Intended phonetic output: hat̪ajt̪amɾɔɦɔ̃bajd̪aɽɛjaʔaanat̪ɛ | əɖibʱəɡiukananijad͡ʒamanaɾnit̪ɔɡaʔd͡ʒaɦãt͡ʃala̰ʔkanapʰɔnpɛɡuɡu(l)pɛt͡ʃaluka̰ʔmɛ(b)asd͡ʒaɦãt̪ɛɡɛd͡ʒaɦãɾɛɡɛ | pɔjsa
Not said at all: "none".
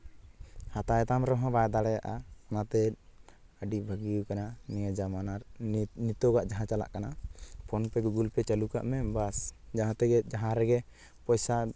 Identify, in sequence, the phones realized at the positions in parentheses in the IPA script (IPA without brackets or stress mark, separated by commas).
l, b